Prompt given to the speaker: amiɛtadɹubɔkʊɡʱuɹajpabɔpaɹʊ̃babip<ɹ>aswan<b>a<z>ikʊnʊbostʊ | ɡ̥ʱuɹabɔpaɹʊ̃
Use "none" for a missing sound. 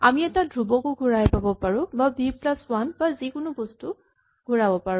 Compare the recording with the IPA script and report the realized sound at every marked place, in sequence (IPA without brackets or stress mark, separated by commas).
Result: l, b, z